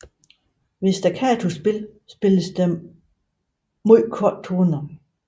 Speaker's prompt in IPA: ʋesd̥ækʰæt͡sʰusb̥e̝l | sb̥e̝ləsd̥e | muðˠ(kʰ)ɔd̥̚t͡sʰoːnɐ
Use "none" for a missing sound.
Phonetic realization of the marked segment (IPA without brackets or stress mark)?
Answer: kʰ